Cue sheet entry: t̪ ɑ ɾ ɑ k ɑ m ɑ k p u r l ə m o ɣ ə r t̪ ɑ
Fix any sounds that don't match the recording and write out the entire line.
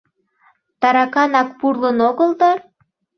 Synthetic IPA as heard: t̪ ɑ ɾ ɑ k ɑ n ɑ k p u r l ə n o ɣ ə l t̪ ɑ